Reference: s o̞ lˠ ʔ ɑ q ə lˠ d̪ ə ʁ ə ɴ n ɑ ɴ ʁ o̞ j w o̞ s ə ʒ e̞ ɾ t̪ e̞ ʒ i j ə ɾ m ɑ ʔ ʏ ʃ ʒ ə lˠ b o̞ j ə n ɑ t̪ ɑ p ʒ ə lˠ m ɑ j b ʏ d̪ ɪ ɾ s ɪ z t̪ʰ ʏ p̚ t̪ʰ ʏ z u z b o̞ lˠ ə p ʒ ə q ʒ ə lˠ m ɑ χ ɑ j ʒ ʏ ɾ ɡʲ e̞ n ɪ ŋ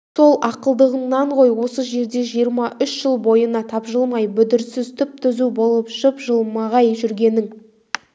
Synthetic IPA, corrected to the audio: s o̞ lˠ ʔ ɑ q ə lˠ d̪ ə ʁ ə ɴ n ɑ ɴ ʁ o̞ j w o̞ s ə ʒ e̞ ɾ d̪ e̞ ʒ i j ə ɾ m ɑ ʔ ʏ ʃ ʒ ə lˠ b o̞ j ə n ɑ t̪ʰ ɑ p ʒ ə lˠ m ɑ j b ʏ d̪ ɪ ɾ s ɪ z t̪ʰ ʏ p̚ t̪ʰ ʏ z u b o̞ lˠ ə p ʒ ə p ʒ ə lˠ m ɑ ʁ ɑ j ʒ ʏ ɾ ɡʲ e̞ n ɪ ŋ